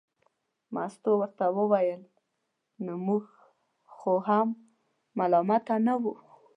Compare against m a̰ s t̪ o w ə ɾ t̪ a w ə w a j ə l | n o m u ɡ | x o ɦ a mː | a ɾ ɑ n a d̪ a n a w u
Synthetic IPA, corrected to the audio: m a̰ s t̪ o w ə ɾ t̪ a w ə w a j ə l | n o m u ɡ | x o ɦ a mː | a l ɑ m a t̪ a n a w u